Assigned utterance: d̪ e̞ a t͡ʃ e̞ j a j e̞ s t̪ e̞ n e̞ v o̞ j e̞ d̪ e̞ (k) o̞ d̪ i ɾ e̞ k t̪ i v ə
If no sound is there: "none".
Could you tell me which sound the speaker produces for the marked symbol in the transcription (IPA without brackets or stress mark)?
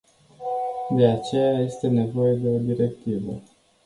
none